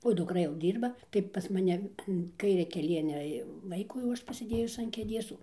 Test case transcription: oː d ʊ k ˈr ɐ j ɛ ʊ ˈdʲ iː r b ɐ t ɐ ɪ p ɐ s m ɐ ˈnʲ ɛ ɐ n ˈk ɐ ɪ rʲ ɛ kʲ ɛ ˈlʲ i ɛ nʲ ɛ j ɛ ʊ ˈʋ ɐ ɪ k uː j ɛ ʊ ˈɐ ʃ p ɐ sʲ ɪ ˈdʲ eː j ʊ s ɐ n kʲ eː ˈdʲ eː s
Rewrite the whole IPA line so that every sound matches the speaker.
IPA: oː d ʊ k ˈr ɐ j ɛ ʊ ˈdʲ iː r b ɐ t ɐ ɪ p ɐ s m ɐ ˈnʲ ɛ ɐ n ˈk ɐ ɪ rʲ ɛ kʲ ɛ ˈlʲ i ɛ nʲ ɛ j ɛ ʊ ˈʋ ɐ ɪ k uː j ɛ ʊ ˈɐ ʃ p ɐ sʲ ɪ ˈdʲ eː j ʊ s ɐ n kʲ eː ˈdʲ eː s